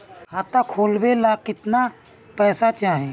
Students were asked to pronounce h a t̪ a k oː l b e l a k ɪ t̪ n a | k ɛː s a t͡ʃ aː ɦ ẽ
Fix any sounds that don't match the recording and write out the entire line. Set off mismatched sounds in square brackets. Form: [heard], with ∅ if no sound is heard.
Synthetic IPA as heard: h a t̪ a [kʰ] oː l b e l a k ɪ t̪ n a | [p] ɛː s a t͡ʃ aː ɦ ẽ